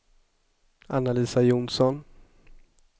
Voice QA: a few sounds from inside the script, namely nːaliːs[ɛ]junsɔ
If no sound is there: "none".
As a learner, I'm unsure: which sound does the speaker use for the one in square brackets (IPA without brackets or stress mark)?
a